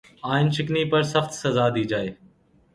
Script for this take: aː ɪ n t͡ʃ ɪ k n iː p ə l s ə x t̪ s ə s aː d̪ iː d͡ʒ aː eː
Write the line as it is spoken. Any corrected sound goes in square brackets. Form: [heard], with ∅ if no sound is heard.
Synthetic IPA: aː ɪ n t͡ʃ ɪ k n iː p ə [ɾ] s ə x t̪ s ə [z] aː d̪ iː d͡ʒ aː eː